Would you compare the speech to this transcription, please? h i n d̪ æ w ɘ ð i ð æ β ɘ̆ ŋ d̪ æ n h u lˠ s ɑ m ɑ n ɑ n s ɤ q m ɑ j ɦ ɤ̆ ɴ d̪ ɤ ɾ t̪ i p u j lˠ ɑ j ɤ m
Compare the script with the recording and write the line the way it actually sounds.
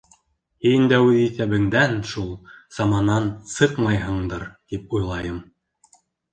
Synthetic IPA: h i n d̪ æ w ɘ ð i θ æ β ɘ̆ ŋ d̪ æ n ʃ u lˠ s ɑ m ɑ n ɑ n s ɤ q m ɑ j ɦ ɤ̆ ɴ d̪ ɤ ɾ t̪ i p u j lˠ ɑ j ɤ m